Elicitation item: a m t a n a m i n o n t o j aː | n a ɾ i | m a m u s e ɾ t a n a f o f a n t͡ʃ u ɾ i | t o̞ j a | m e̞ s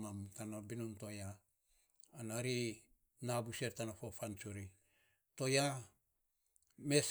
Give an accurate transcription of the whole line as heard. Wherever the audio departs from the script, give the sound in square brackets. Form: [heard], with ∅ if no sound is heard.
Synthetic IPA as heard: a m t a n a [b] i n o n t o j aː | n a ɾ i | [n] a [b] u s e ɾ t a n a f o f a n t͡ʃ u ɾ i | t o̞ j a | m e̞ s